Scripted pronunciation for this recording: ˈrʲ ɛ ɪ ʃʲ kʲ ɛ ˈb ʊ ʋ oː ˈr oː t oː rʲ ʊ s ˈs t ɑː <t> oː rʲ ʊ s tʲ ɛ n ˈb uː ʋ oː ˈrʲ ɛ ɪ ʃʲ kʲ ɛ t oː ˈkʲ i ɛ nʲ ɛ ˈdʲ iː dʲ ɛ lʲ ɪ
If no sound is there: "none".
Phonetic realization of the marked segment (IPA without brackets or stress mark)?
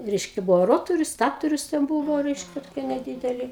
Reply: t